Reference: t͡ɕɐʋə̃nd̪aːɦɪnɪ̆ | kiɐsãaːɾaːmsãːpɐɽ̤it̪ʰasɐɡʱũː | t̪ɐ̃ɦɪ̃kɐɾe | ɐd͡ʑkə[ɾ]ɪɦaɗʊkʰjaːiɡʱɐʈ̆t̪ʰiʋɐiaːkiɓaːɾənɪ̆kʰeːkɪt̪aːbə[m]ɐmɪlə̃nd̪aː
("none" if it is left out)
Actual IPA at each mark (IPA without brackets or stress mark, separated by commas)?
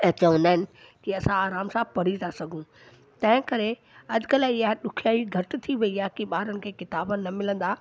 l, n